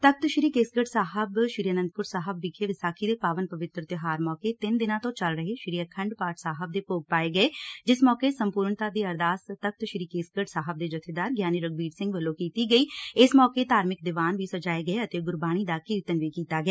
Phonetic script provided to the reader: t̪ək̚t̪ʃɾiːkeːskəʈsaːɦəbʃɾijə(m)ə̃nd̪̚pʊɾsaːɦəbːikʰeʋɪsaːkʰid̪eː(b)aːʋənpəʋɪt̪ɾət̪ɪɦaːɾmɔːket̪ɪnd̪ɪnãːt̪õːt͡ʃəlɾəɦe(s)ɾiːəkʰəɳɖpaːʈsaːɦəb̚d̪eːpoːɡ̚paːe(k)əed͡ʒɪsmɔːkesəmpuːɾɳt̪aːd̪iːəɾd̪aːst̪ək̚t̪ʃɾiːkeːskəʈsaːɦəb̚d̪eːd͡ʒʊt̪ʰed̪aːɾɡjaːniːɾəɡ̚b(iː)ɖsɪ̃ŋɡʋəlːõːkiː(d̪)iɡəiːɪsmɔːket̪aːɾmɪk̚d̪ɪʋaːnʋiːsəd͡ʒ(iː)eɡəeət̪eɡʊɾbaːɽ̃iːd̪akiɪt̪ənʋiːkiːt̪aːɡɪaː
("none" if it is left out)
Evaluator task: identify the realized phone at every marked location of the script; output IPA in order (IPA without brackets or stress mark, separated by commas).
n, p, ʃ, ɡ, iː, t̪, aː